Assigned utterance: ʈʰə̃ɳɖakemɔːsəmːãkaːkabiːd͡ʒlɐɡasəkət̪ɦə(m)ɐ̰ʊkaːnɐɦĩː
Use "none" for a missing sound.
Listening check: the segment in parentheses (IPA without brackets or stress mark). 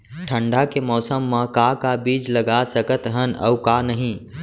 n